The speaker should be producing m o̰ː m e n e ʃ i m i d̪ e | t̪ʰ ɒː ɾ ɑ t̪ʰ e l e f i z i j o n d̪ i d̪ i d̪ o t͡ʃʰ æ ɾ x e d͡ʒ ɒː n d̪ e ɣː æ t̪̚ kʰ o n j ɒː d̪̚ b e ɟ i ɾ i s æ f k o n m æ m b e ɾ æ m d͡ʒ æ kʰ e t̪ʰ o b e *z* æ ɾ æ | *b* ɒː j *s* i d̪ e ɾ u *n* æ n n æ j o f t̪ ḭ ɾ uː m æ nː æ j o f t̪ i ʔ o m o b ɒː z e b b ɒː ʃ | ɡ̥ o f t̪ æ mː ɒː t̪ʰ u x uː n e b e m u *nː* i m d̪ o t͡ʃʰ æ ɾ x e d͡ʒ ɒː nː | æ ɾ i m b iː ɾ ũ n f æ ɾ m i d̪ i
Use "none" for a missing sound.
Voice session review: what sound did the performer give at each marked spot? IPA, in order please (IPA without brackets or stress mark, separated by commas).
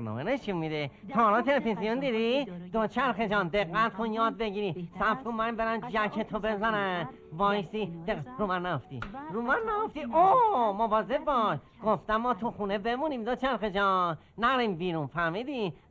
z, v, s, m, n